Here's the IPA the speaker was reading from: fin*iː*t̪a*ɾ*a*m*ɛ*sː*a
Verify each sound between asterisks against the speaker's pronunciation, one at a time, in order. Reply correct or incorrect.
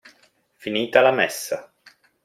correct, incorrect: l, correct, correct

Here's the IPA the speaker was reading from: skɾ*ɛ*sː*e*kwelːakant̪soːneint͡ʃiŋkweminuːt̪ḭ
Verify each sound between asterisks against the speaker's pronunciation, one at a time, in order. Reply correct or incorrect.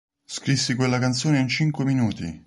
incorrect: i, incorrect: i

